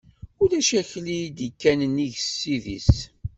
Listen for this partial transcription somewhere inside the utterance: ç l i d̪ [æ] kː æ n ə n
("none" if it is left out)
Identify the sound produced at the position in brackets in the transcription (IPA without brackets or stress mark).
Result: i